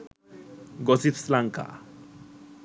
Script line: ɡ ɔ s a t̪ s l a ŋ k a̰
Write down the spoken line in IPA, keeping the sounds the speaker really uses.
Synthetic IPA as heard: ɡ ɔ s i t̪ s l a ŋ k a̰